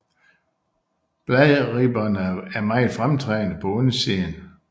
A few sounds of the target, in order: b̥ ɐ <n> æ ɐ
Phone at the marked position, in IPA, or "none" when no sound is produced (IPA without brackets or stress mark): n